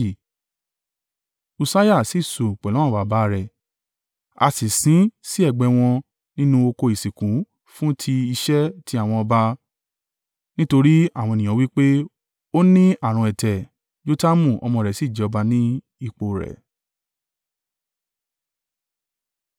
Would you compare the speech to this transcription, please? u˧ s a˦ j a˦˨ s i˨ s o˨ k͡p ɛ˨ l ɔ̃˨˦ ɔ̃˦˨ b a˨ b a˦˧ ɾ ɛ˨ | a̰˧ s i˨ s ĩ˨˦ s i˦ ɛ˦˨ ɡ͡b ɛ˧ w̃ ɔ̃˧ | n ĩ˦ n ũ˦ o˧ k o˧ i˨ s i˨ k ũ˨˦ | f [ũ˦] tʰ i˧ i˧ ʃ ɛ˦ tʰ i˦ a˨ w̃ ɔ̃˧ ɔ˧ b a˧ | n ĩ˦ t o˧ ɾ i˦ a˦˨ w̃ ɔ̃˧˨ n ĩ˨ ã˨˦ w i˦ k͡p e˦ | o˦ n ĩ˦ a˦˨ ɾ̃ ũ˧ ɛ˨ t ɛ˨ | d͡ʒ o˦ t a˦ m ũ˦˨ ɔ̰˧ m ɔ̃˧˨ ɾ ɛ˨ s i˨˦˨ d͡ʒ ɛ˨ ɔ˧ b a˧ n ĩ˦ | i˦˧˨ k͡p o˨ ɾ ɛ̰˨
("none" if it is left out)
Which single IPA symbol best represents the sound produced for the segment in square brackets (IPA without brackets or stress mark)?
ũ˦